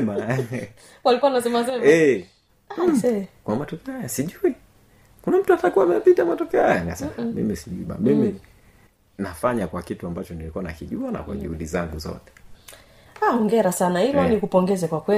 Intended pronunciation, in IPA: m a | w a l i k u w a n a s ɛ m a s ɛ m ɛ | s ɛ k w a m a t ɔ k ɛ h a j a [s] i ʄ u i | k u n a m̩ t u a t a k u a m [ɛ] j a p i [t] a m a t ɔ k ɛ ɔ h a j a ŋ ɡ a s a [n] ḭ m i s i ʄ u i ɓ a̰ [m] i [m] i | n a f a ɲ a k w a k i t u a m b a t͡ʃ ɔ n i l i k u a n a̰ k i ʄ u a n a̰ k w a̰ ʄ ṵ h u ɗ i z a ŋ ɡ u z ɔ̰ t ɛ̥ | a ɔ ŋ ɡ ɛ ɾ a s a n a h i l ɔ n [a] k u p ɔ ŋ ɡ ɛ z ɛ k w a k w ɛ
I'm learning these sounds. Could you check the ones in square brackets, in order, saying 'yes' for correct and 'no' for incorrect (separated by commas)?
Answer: yes, yes, yes, no, yes, yes, no